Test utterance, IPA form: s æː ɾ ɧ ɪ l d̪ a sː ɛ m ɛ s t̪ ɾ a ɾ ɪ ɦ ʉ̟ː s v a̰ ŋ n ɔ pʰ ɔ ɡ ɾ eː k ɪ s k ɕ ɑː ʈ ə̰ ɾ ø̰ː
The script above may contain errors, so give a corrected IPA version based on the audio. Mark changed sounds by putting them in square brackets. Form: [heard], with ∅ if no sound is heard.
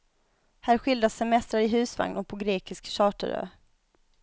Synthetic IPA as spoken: [h] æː ɾ ɧ ɪ l d̪ a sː ɛ m ɛ s t̪ ɾ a ɾ ɪ ɦ ʉ̟ː s v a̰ ŋ n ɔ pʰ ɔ ɡ ɾ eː k ɪ s k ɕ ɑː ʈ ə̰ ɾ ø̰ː